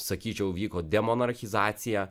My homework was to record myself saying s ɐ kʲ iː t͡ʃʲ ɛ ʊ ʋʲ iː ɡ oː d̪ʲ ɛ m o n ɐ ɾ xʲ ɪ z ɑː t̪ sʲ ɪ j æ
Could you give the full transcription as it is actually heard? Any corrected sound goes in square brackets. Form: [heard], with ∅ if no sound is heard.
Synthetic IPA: s ɐ kʲ iː t͡ʃʲ ɛ ʊ ʋʲ iː [k] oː d̪ʲ ɛ m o n ɐ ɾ xʲ ɪ z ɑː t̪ sʲ ɪ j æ